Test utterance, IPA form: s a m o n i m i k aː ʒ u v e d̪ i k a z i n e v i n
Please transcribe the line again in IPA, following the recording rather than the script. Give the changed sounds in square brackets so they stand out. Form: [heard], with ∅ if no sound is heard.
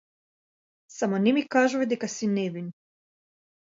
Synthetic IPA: s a m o n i m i k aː ʒ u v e d̪ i k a [s] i n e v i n